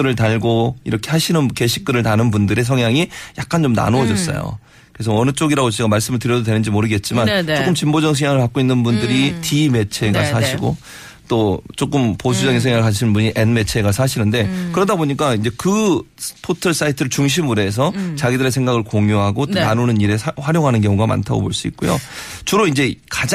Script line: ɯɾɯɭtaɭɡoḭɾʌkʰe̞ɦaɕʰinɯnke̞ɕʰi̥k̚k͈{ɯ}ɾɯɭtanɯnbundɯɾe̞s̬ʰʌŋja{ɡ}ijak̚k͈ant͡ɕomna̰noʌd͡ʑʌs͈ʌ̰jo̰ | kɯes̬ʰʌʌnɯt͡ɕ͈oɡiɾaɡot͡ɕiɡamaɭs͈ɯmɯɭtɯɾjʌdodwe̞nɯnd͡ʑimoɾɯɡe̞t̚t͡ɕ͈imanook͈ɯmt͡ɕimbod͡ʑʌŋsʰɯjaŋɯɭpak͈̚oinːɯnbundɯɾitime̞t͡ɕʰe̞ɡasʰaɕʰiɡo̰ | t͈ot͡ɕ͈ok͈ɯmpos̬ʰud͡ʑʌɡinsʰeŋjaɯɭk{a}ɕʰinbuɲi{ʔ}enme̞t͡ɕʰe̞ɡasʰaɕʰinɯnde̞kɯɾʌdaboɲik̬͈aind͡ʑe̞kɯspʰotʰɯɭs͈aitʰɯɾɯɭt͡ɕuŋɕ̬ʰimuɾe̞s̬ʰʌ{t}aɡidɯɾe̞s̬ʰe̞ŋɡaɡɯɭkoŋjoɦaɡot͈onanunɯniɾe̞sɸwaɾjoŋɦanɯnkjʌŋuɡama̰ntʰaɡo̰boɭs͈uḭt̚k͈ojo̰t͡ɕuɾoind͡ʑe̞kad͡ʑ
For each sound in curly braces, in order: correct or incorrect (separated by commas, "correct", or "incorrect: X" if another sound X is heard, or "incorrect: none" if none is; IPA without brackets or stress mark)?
correct, incorrect: ŋ, correct, correct, incorrect: t͡ɕ